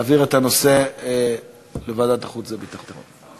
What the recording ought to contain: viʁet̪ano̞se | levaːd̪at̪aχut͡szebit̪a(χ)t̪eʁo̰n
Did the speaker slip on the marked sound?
no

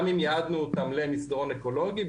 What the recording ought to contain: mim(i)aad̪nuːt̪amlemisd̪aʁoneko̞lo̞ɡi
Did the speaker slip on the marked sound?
yes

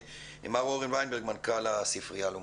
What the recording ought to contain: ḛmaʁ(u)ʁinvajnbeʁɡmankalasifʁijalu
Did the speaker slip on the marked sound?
yes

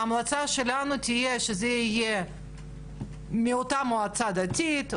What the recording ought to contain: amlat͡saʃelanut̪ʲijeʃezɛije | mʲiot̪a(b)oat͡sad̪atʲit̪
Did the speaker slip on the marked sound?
yes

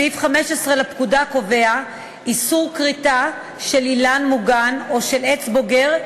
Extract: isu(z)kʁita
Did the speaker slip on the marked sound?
yes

